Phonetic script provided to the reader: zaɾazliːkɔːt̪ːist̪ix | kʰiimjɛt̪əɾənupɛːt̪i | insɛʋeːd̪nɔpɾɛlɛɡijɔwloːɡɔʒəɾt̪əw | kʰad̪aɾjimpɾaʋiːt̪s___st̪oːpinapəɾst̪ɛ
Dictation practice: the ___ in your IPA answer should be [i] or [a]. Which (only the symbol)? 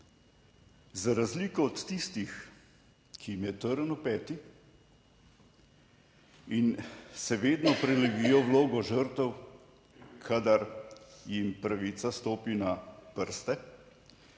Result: a